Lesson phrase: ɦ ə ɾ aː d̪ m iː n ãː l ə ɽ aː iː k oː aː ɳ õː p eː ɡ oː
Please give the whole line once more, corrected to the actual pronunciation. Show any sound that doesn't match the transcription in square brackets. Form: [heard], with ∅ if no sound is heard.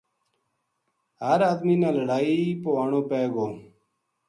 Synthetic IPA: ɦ ə ɾ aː d̪ m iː n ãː l ə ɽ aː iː [p] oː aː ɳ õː p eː ɡ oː